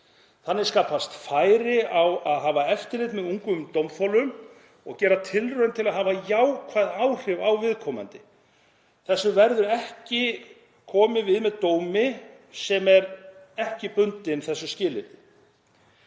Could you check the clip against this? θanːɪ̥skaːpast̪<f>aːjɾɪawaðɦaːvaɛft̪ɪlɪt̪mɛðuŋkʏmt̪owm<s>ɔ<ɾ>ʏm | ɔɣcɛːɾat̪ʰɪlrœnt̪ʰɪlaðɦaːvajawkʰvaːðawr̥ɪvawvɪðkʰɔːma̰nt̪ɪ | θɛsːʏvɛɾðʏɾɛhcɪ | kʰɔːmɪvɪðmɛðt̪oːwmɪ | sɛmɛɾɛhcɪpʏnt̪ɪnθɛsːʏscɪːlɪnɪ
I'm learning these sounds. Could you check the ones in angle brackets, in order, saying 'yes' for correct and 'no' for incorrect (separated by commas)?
yes, no, no